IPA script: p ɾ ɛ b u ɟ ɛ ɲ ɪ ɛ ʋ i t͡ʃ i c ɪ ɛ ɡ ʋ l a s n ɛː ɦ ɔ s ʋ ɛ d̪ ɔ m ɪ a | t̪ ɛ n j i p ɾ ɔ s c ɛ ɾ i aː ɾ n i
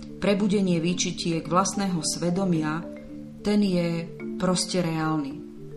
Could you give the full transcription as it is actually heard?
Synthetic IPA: p ɾ ɛ b u ɟ ɛ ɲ ɪ ɛ ʋ i t͡ʃ i c ɪ ɛ ɡ ʋ l a s n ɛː ɦ ɔ s ʋ ɛ d̪ ɔ m ɪ a | t̪ ɛ n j ɛ p ɾ ɔ s c ɛ ɾ ɛ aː l n i